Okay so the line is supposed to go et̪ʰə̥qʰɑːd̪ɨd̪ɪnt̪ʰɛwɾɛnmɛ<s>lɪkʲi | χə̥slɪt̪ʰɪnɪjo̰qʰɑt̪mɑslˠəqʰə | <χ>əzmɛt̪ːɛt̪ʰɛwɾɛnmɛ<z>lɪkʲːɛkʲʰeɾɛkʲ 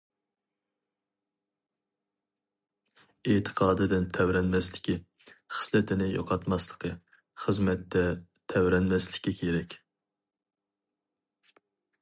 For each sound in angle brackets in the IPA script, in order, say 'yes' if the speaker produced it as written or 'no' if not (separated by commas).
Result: yes, yes, no